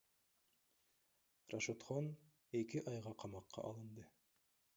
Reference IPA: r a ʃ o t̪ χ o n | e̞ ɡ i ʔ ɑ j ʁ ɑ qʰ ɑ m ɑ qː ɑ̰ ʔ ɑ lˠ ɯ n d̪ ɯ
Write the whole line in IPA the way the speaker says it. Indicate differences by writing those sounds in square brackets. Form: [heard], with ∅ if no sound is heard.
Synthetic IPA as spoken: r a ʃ o t̪ χ o n | e̞ [k] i ʔ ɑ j ʁ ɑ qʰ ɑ m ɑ qː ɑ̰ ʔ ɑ lˠ ɯ n d̪ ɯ

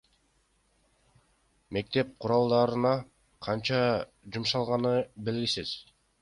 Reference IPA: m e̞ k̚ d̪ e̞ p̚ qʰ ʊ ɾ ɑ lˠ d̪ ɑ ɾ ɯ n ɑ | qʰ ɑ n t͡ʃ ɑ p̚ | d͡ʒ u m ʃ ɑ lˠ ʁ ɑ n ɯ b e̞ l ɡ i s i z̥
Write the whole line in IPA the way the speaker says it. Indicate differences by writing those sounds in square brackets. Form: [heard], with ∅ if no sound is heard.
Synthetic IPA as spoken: m e̞ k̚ [t̪] e̞ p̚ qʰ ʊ ɾ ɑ lˠ d̪ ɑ ɾ ɯ n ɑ | qʰ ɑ n t͡ʃ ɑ [∅] | d͡ʒ u m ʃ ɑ lˠ ʁ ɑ n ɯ b e̞ l ɡ i s i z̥

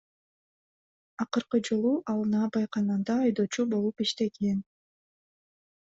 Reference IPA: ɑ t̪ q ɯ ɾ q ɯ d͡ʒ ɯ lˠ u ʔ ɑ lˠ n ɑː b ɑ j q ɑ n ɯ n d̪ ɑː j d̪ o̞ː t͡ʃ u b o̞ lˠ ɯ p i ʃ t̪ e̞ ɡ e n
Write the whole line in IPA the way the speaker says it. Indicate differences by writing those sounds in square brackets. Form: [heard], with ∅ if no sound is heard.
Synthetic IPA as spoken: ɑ [∅] q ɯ ɾ q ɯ d͡ʒ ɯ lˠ u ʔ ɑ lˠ n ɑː b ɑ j q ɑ n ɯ n d̪ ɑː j d̪ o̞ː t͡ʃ u b o̞ lˠ [u] p i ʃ t̪ e̞ ɡ e n

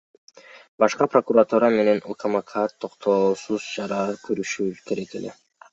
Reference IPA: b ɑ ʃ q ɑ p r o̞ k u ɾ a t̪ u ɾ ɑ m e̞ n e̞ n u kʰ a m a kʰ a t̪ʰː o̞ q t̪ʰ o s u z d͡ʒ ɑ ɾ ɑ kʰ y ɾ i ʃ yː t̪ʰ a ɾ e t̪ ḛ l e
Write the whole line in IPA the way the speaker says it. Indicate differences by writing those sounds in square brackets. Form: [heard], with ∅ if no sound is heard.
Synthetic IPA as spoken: b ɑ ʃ q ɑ p r o̞ k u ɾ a t̪ u ɾ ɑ m e̞ n e̞ n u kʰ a m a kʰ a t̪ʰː o̞ q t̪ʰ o s u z d͡ʒ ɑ ɾ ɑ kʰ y ɾ [y] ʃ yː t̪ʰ [e] ɾ e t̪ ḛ l e

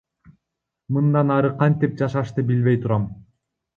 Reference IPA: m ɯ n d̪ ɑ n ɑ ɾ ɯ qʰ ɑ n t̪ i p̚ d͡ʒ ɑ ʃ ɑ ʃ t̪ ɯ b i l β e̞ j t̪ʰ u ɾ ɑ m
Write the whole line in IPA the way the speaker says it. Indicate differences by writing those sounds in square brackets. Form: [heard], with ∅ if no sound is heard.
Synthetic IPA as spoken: m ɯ n d̪ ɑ n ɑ ɾ ɯ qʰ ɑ n t̪ i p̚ d͡ʒ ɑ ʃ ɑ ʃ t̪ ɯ b i l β e̞ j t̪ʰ u ɾ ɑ m

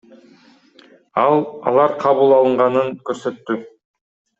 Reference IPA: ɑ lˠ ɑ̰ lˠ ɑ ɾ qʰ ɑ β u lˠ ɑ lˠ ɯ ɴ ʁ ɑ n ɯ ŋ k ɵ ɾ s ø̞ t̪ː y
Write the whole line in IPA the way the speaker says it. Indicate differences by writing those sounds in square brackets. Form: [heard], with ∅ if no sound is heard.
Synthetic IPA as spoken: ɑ lˠ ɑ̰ lˠ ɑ ɾ qʰ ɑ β u lˠ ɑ lˠ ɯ ɴ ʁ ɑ n ɯ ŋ k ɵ ɾ s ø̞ t̪ː y

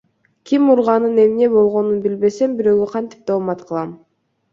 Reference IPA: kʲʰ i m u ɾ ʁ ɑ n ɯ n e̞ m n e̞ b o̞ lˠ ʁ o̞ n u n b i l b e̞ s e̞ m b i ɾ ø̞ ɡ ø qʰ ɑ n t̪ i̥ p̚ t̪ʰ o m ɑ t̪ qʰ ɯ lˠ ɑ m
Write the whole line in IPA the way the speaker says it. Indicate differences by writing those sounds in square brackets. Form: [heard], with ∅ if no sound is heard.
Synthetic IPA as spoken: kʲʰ i m u ɾ ʁ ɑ n ɯ n e̞ m n e̞ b o̞ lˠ ʁ o̞ n u n b i l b e̞ s e̞ m b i ɾ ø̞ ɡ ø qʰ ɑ n t̪ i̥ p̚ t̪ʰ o m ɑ t̪ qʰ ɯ lˠ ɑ m

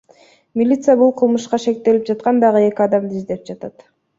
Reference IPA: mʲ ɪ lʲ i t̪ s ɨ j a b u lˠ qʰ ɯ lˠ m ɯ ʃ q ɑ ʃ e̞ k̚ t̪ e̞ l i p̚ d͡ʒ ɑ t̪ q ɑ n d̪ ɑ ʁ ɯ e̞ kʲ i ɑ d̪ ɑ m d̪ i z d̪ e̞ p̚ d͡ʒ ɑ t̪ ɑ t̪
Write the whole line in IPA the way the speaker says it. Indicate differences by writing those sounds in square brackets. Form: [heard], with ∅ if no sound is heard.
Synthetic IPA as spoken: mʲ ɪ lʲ i t̪ s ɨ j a b u lˠ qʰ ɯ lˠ m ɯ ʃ q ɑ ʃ e̞ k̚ t̪ e̞ l i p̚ d͡ʒ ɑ t̪ q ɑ n d̪ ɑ ʁ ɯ e̞ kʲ i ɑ d̪ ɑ m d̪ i z d̪ e̞ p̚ d͡ʒ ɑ t̪ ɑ t̪

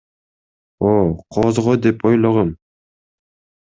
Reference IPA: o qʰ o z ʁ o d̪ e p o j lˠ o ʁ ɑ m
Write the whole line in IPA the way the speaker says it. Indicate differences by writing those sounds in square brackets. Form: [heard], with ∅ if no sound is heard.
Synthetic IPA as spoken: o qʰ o z ʁ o d̪ e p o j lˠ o ʁ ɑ m

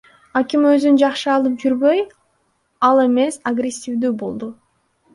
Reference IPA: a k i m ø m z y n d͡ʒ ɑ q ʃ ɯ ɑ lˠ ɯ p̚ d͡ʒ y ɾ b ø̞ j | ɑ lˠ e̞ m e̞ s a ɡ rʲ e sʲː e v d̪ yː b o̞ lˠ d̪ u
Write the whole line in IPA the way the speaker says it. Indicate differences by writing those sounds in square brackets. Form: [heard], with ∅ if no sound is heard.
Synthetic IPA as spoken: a k i m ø [∅] z y n d͡ʒ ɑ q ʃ ɯ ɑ lˠ ɯ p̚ d͡ʒ y ɾ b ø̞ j | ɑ lˠ e̞ m e̞ s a ɡ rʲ e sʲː [i] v d̪ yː b o̞ lˠ d̪ u

